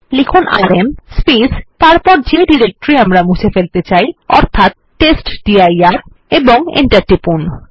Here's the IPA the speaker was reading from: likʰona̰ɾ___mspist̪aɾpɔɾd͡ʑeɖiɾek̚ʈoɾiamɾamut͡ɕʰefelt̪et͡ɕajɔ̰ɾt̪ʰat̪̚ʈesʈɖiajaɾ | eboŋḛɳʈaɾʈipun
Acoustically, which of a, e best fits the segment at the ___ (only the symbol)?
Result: e